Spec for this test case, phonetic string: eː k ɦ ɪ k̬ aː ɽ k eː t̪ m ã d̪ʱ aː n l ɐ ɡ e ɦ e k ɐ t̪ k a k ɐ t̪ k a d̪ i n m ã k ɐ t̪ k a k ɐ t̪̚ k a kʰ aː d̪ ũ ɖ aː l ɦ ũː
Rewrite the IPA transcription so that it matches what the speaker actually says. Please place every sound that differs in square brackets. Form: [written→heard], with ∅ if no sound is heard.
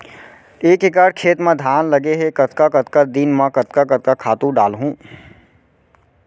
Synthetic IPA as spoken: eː k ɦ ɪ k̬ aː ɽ [k→kʰ] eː t̪ m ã d̪ʱ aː n l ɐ ɡ e ɦ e k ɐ t̪ k a k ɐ t̪ k a d̪ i n m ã k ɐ t̪ k a k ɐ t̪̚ k a kʰ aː [d̪→t̪] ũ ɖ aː l ɦ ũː